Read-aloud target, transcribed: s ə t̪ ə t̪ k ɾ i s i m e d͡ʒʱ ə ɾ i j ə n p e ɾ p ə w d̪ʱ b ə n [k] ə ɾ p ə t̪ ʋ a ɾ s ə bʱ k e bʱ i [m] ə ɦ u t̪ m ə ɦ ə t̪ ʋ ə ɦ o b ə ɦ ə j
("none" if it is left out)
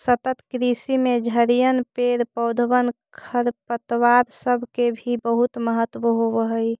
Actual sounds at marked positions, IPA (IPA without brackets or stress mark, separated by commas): kʰ, b